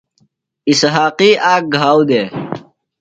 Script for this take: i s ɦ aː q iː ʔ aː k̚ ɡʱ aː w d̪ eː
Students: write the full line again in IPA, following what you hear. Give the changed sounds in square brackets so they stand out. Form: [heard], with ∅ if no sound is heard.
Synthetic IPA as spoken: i s ɦ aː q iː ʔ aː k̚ ɡʱ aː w d̪ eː